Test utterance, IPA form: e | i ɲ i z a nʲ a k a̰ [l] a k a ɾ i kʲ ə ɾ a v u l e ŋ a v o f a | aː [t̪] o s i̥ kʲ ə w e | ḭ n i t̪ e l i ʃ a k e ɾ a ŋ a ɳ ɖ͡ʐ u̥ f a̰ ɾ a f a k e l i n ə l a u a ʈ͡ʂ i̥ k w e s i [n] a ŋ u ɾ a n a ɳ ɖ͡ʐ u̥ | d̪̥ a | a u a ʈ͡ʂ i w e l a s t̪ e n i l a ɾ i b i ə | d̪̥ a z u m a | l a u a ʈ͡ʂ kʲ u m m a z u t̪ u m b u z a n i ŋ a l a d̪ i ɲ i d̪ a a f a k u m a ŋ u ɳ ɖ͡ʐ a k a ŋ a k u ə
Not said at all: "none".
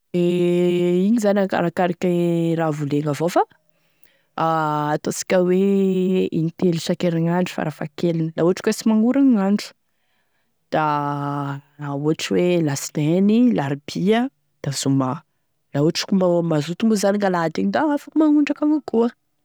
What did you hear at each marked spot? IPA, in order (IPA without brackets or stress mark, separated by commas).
ɾ, t̪, m